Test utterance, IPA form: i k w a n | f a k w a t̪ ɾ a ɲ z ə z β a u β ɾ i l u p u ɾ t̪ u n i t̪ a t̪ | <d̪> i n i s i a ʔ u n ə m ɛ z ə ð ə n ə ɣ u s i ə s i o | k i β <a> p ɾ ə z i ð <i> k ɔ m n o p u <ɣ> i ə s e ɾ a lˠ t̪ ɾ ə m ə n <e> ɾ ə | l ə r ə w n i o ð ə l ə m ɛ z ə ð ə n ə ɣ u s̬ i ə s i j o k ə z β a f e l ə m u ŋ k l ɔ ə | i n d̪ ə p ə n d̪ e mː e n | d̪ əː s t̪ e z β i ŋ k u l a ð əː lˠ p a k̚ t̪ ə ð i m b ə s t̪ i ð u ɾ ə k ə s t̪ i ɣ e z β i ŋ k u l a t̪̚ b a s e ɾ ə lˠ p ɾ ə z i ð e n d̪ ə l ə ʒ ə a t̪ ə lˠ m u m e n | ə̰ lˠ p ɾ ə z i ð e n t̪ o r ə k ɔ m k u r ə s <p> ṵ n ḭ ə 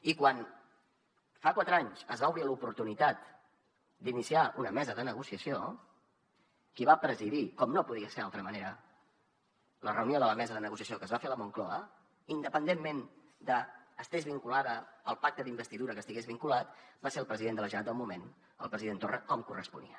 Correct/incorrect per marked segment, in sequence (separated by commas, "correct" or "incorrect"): correct, correct, correct, incorrect, correct, correct